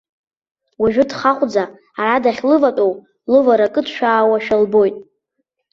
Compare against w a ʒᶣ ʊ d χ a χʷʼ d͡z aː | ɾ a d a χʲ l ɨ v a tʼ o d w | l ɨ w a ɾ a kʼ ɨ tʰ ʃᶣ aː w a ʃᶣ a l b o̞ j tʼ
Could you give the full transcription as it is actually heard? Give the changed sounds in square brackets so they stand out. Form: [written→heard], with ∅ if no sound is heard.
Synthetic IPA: w a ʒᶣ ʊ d χ a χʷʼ d͡z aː | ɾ a d a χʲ l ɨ v a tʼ o [d→∅] w | l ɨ [w→v] a ɾ a kʼ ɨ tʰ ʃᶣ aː w a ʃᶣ a l b o̞ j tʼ